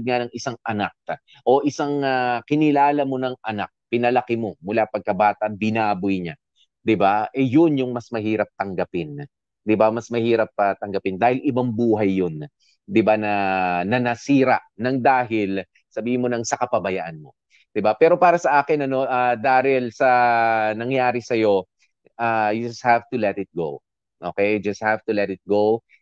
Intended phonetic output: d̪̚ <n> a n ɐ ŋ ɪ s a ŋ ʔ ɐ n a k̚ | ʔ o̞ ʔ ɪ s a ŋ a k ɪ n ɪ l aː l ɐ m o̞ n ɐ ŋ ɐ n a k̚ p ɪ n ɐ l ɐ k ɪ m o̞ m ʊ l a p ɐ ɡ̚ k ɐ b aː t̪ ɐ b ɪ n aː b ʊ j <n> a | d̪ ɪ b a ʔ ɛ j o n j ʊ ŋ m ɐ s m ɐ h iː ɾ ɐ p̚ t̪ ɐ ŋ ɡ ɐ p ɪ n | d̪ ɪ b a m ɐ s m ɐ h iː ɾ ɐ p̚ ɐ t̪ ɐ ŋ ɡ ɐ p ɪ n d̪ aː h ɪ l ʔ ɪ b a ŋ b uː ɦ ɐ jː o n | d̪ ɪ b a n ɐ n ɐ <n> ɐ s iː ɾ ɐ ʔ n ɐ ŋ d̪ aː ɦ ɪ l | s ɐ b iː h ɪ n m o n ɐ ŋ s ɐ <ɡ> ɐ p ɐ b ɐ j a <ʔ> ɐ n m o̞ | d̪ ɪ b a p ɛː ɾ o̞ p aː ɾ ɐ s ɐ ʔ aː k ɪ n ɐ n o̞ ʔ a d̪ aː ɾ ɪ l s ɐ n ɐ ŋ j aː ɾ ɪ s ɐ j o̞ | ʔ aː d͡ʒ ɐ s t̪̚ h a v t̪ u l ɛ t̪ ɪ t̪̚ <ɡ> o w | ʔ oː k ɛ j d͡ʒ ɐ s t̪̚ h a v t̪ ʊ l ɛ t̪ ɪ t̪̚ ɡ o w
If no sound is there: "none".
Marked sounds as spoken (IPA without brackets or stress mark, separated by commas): ŋ, ɲ, n, k, ʔ, ɡ